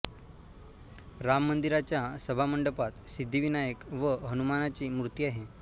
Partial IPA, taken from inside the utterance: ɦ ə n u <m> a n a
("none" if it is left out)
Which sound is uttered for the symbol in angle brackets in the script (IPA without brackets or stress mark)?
m